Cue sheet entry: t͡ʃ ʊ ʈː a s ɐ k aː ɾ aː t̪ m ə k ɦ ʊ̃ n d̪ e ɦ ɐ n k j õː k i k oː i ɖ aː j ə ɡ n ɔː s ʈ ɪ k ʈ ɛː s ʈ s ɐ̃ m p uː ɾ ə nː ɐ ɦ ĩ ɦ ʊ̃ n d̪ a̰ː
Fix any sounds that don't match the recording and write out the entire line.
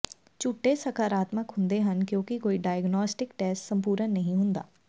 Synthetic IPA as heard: t͡ʃ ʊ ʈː e s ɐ k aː ɾ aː t̪ m ə k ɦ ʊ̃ n d̪ e ɦ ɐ n k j õː k i k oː i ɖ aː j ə ɡ n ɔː s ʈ ɪ k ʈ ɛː s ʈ s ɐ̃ m p uː ɾ ə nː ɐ ɦ ĩ ɦ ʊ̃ n d̪ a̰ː